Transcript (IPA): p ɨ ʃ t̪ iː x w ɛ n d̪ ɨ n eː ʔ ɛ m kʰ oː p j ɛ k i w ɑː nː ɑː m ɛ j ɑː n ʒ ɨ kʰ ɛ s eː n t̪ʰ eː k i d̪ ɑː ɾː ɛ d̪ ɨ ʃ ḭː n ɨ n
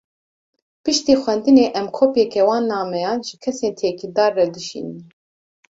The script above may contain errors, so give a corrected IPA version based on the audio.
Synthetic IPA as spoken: p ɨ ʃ t̪ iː x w ɛ n d̪ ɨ n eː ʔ ɛ m kʰ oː p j ɛ k ɛ w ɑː nː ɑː m ɛ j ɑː n ʒ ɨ kʰ ɛ s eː n t̪ʰ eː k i d̪ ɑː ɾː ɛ d̪ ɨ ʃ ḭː n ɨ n